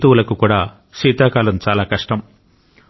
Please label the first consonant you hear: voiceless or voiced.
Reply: voiceless